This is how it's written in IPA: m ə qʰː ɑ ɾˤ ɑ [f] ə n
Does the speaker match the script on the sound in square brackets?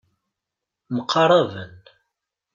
no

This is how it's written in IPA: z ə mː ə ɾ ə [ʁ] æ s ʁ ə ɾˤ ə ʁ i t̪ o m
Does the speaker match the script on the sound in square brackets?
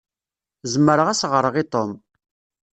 yes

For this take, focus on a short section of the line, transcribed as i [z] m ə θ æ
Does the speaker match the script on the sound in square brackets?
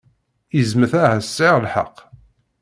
yes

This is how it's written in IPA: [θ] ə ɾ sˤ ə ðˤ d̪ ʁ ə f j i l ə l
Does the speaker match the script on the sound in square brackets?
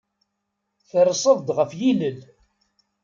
yes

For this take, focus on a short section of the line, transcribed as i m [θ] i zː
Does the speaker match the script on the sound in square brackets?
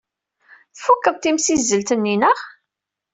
no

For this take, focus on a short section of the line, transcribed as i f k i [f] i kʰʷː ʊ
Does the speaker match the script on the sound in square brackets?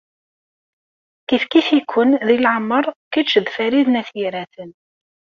yes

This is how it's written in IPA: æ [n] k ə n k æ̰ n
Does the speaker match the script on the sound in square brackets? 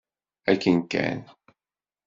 no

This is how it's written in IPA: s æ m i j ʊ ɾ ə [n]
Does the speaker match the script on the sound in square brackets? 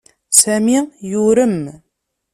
no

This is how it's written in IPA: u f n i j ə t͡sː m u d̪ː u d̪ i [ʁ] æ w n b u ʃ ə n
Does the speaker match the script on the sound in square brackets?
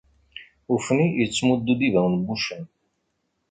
no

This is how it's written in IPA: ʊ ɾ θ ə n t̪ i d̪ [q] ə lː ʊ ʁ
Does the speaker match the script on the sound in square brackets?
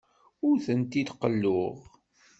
yes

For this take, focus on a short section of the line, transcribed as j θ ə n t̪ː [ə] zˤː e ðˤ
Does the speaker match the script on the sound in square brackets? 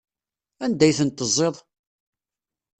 yes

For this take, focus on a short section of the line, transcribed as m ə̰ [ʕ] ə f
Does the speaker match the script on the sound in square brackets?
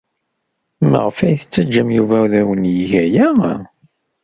no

